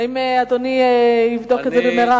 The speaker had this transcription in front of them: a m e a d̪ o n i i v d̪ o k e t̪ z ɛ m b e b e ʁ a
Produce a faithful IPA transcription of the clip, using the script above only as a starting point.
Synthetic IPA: i m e a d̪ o n i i v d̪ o k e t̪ z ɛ b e m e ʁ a